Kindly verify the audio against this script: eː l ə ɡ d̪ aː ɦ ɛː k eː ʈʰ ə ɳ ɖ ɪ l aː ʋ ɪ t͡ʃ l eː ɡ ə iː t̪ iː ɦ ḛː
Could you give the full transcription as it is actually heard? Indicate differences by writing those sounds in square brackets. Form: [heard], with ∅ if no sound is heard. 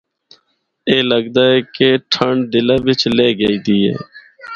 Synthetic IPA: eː l ə ɡ d̪ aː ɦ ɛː k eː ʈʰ ə ɳ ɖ ɪ l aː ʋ ɪ t͡ʃ l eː ɡ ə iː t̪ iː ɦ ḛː